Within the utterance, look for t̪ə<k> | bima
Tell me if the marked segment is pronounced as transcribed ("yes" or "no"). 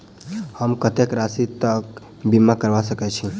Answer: yes